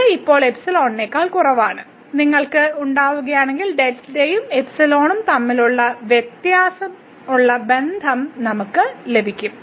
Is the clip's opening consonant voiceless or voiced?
voiceless